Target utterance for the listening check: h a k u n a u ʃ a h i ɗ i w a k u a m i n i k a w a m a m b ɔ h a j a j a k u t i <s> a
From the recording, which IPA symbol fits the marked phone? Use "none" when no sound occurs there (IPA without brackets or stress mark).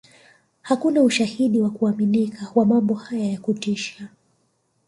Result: ʃ